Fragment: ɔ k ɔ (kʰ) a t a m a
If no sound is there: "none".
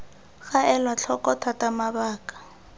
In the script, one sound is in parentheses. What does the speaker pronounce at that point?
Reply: tʰ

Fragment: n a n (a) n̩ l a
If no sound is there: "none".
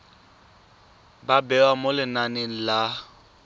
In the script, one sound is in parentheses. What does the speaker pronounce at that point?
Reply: e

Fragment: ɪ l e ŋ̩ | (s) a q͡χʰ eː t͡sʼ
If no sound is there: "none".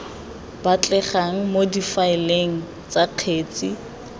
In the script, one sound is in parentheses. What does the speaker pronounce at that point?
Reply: t͡s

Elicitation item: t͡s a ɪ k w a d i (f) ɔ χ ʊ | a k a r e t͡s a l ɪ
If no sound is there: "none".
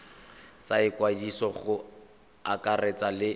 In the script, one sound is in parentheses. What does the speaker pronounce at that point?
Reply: s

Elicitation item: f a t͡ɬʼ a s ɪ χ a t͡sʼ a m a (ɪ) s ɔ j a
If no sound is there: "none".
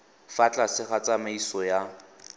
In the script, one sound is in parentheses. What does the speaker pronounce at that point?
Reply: i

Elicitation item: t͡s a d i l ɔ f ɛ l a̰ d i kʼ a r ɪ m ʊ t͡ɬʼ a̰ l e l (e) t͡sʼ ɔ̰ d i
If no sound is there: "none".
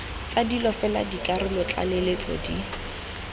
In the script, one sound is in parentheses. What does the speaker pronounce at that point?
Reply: e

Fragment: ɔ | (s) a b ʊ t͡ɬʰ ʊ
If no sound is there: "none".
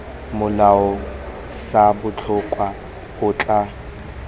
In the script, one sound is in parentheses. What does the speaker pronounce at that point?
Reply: s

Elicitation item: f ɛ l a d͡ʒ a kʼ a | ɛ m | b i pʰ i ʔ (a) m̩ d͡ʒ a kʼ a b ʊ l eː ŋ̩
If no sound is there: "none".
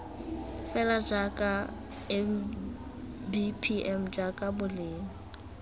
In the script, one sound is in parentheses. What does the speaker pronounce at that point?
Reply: ɛ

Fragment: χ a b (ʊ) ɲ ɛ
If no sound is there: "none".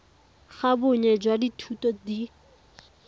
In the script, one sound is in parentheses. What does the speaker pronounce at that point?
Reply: ʊ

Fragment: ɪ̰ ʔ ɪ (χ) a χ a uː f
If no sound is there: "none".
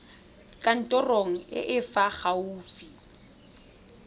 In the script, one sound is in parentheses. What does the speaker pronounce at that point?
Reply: f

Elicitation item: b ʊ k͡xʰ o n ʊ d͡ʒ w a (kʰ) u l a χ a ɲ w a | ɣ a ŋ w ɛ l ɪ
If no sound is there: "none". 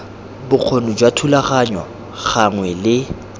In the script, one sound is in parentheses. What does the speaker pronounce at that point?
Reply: tʰ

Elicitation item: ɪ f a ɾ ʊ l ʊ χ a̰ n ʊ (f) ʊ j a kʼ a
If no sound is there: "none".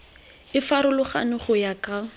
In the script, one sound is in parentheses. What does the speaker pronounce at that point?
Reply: χ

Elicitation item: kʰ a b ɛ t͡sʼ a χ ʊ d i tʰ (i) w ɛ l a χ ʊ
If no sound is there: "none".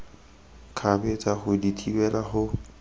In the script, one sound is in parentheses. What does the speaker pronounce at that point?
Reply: i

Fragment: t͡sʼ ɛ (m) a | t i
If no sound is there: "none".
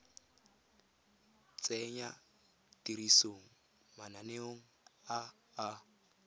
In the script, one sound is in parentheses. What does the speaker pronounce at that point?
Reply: ɲ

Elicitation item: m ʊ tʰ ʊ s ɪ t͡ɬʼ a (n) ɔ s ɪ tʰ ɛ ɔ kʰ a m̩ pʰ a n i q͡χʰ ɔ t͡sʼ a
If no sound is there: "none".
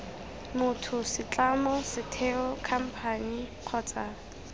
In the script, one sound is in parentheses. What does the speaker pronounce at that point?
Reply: m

